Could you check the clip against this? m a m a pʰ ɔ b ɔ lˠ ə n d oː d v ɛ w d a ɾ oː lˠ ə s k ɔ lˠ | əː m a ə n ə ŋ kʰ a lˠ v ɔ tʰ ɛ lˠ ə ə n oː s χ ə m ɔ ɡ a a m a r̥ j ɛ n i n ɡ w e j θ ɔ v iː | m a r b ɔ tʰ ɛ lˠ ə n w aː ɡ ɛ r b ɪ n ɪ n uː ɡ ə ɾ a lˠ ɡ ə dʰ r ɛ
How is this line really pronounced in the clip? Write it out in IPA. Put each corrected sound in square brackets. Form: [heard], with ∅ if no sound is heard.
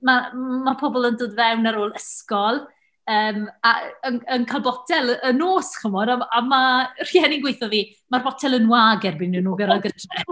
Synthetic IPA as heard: m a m a pʰ ɔ b ɔ lˠ ə n d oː d v ɛ w [n] a ɾ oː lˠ ə s k ɔ lˠ | əː m a ə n ə [n] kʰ a lˠ [b] ɔ tʰ ɛ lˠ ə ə n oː s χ ə m ɔ [d] a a m a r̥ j ɛ n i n ɡ w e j θ ɔ v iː | m a r b ɔ tʰ ɛ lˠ ə n w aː ɡ ɛ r b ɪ n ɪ n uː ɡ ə ɾ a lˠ ɡ ə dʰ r ɛ

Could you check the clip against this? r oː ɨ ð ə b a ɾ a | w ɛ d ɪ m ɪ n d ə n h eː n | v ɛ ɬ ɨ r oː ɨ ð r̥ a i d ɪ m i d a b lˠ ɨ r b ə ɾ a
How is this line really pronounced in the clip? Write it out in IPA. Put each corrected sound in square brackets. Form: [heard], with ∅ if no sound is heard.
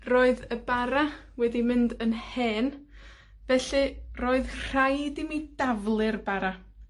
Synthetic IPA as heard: r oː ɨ ð ə b a ɾ a | w ɛ d [i] m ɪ n d ə n h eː n | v ɛ ɬ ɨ r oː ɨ ð r̥ a [j] d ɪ m i d a [v] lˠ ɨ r b [a] ɾ a

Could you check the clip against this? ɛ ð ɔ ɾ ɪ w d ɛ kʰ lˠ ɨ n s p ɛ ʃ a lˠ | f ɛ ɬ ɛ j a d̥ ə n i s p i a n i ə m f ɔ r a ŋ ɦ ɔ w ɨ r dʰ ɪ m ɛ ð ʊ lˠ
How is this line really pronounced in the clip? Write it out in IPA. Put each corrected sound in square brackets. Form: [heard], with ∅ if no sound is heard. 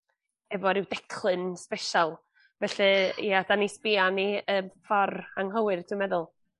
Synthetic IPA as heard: ɛ [v] ɔ ɾ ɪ w d ɛ kʰ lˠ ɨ n s p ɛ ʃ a lˠ | [v] ɛ ɬ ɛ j a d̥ [a] n i s p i a n i ə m f ɔ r a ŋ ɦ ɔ w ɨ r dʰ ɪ m ɛ ð ʊ lˠ

